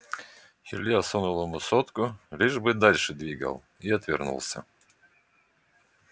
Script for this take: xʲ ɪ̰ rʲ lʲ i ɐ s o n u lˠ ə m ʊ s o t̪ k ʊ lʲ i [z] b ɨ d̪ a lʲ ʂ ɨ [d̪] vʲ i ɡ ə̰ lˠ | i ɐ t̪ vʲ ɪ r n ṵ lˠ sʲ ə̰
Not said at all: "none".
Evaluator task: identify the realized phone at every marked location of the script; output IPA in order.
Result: ʐ, d̪

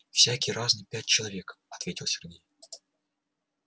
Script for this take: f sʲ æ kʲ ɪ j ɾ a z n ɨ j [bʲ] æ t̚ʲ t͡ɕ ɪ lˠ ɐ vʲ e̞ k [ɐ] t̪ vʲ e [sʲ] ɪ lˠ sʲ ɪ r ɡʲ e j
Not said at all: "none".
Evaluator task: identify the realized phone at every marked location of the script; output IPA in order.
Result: pʲ, ɐ, tʲ

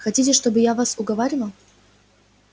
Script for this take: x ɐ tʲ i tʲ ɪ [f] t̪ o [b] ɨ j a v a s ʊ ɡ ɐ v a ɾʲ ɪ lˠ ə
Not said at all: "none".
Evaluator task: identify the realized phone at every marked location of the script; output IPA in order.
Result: ʂ, b

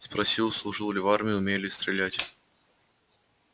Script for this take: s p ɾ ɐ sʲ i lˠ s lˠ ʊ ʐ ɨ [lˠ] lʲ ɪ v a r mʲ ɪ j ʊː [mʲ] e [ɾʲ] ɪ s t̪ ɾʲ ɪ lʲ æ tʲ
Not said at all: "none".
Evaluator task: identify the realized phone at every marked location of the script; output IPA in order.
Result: lˠ, mʲ, lʲ

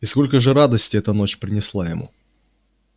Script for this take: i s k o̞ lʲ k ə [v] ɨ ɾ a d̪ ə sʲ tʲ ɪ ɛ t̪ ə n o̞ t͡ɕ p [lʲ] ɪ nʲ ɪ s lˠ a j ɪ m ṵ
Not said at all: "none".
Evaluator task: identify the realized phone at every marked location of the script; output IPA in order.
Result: ʐ, ɾʲ

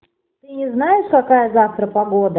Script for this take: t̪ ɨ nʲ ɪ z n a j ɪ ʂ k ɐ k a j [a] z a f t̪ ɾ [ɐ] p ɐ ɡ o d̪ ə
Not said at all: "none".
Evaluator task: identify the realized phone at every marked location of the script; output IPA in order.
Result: ə, ə

